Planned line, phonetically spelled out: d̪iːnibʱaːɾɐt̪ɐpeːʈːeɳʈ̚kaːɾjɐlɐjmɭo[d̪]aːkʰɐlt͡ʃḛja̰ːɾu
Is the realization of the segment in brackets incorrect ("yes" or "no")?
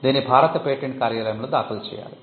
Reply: no